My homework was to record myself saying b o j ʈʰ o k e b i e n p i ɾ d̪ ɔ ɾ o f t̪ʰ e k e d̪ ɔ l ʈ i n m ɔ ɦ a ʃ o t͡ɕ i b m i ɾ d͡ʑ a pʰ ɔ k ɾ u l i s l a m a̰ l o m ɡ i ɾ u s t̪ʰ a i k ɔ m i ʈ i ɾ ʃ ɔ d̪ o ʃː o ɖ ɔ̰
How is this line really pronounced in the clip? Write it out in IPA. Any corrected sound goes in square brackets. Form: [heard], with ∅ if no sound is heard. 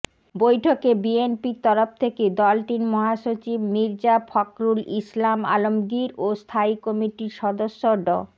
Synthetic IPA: b o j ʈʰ o k e b i e n p i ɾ [t̪] ɔ ɾ o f t̪ʰ e k e d̪ ɔ l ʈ i n m ɔ ɦ a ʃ o t͡ɕ i b m i ɾ d͡ʑ a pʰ ɔ k ɾ u l i s l a m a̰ l o m ɡ i ɾ [o] s t̪ʰ a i k ɔ m i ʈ i ɾ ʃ ɔ d̪ o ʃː o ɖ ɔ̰